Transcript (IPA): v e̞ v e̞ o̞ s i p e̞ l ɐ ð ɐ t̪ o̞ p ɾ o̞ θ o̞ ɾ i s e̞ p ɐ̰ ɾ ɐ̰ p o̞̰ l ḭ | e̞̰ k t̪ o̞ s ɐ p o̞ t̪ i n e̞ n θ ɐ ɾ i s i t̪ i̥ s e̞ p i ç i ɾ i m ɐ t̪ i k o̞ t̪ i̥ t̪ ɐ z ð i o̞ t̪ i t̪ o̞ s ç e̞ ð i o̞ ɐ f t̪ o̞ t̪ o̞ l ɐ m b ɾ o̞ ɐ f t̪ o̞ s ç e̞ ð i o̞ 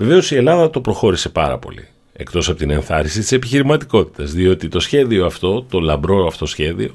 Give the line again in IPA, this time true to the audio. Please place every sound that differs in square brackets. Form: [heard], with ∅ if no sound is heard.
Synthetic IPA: v e̞ v e̞ o̞ s i [∅] e̞ l ɐ ð ɐ t̪ o̞ p ɾ o̞ [x] o̞ ɾ i s e̞ p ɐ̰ ɾ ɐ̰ p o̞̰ l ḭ | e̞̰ k t̪ o̞ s ɐ p o̞ t̪ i n e̞ n θ ɐ ɾ i s i t̪ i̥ s e̞ p i ç i ɾ i m ɐ t̪ i k o̞ t̪ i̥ t̪ ɐ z ð i o̞ t̪ i t̪ o̞ s ç e̞ ð i o̞ ɐ f t̪ o̞ t̪ o̞ l ɐ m b ɾ o̞ ɐ f t̪ o̞ s ç e̞ ð i o̞